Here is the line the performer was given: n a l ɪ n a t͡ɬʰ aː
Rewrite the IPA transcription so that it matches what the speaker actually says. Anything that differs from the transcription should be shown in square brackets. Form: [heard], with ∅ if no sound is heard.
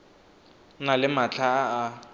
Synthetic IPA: n a l ɪ [m] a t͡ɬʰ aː